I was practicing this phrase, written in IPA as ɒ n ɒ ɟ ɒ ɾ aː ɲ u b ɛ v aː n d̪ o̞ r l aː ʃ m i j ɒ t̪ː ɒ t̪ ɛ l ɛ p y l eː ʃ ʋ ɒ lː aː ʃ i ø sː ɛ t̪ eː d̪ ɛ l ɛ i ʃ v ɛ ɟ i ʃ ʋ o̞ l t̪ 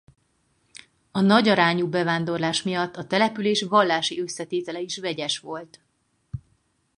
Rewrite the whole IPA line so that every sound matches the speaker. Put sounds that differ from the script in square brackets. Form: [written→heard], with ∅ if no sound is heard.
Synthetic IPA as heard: ɒ n ɒ ɟ ɒ ɾ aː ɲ u b ɛ v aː n d̪ o̞ r l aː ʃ m i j ɒ t̪ː ɒ t̪ ɛ l ɛ p y l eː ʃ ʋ ɒ lː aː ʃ i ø sː ɛ t̪ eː [d̪→t̪] ɛ l ɛ i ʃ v ɛ ɟ [i→ɛ] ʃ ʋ o̞ l t̪